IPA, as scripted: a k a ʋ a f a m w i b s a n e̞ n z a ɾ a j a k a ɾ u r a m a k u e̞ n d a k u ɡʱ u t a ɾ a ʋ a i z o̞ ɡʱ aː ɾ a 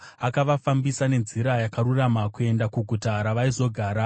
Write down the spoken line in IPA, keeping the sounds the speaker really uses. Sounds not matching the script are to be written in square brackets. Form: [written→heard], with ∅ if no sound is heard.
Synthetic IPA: a k a ʋ a f a m [w→b] i [b→∅] s a n e̞ n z [a→i] ɾ a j a k a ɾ u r a m a k u e̞ n d a k u ɡʱ u t a ɾ a ʋ a i z o̞ ɡʱ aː ɾ a